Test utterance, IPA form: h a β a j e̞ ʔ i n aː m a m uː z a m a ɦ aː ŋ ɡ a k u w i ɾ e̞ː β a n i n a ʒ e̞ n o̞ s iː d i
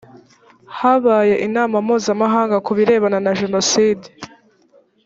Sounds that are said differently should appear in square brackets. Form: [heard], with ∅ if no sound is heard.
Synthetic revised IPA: h a β a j e̞ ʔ i n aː m a m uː z a m a ɦ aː ŋ ɡ a k u [β] i ɾ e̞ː β a n [a] n a ʒ e̞ n o̞ s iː d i